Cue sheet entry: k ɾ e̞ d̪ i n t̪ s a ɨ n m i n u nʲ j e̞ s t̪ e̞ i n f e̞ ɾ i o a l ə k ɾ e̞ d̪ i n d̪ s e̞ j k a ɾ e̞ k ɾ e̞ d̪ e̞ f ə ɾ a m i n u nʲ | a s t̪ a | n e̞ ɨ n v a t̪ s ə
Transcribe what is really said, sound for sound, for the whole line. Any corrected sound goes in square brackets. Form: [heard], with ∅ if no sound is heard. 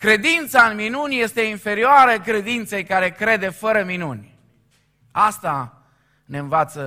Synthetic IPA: k ɾ e̞ d̪ i n t̪ s a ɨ n m i n u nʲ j e̞ s t̪ e̞ i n f e̞ ɾ i o a [ɾ] ə k ɾ e̞ d̪ i n [t̪] s e̞ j k a ɾ e̞ k ɾ e̞ d̪ e̞ f ə ɾ [ə] m i n u nʲ | a s t̪ a | n e̞ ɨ n v a t̪ s ə